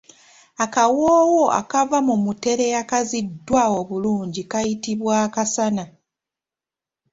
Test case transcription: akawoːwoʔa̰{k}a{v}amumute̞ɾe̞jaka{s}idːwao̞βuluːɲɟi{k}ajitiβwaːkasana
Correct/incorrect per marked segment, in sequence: correct, correct, incorrect: z, correct

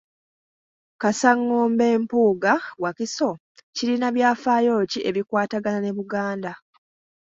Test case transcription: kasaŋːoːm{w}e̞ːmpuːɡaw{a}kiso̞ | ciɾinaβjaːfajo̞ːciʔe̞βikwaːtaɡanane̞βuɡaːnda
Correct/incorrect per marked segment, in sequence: incorrect: b, correct

